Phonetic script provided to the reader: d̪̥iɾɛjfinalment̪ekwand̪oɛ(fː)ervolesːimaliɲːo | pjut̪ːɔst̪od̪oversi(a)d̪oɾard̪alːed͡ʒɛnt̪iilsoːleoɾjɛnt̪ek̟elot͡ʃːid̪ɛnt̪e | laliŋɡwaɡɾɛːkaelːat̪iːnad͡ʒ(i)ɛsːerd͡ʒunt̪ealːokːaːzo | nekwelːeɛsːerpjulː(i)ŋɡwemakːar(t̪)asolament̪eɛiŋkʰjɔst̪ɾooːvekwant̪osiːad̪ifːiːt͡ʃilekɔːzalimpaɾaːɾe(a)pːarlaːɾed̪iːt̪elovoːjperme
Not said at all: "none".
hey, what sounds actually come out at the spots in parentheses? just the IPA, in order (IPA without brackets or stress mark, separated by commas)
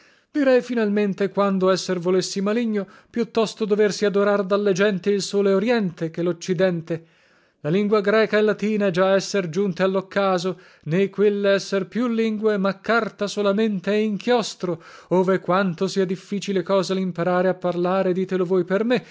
sː, a, a, i, t̪, a